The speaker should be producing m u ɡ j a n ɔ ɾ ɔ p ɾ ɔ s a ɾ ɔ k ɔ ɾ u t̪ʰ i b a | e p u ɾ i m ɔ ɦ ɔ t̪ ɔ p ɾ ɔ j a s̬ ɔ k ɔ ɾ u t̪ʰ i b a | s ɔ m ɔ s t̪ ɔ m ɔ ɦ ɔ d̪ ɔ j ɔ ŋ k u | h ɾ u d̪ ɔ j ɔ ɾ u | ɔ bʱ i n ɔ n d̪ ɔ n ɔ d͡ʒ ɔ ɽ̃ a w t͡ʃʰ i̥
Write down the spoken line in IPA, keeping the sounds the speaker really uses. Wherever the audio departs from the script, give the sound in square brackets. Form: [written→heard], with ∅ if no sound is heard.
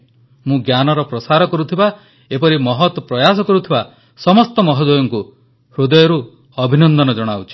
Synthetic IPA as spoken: m [u→ũ] ɡ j a n ɔ ɾ ɔ p ɾ ɔ s a ɾ ɔ k ɔ ɾ u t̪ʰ i b a | e p [u→ɔ] ɾ i m ɔ ɦ ɔ t̪ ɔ p ɾ ɔ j a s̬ ɔ k ɔ ɾ u t̪ʰ i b a | s ɔ m ɔ s t̪ ɔ m ɔ ɦ ɔ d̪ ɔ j ɔ ŋ k u | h ɾ u d̪ ɔ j ɔ ɾ u | ɔ bʱ i n ɔ n d̪ ɔ n ɔ d͡ʒ ɔ ɽ̃ a w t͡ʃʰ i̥